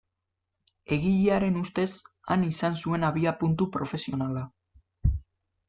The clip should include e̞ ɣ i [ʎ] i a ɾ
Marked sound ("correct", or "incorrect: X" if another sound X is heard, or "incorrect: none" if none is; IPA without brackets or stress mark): correct